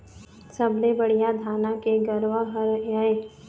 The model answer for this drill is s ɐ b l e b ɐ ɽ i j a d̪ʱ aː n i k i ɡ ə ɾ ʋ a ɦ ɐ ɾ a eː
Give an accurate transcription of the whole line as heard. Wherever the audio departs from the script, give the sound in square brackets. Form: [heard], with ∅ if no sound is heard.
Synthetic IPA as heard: s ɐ b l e b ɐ ɽ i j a d̪ʱ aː n [a] k [e] ɡ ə ɾ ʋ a ɦ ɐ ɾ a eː